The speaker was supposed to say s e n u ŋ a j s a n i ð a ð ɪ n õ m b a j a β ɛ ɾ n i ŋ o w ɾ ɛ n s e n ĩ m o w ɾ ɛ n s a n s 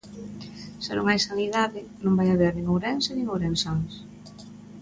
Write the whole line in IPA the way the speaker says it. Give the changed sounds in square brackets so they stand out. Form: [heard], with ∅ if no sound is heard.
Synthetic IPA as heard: s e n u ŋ a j s a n i ð a ð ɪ n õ m b a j a β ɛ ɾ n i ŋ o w ɾ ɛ n s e n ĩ [ŋ] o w ɾ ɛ n s a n s